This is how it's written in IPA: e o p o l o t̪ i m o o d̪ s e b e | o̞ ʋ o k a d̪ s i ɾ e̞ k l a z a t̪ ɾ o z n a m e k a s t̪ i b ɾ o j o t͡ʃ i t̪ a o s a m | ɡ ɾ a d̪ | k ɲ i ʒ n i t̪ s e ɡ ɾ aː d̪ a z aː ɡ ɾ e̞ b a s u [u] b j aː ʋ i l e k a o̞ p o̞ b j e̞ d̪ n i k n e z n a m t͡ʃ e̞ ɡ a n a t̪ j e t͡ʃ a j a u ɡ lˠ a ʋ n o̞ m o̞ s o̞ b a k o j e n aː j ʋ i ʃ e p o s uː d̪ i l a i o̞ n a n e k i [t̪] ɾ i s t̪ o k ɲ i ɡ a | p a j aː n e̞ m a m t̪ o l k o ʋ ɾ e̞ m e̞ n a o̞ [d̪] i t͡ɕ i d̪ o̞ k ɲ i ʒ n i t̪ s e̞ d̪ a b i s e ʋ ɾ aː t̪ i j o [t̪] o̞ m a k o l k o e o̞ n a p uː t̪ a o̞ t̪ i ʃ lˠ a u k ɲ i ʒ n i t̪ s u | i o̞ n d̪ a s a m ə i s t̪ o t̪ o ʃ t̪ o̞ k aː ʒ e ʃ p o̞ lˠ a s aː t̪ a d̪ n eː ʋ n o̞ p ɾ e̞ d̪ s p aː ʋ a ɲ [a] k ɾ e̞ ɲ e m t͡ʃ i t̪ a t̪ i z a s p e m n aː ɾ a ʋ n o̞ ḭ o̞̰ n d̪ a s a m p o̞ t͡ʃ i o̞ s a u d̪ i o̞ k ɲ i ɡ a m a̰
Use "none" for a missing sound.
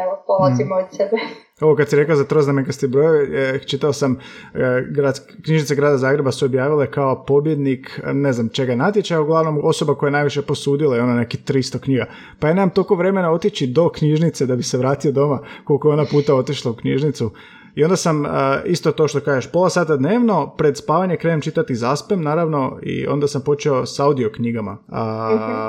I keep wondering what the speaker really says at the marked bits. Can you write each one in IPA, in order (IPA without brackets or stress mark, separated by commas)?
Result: o, t̪, t̪, d̪, e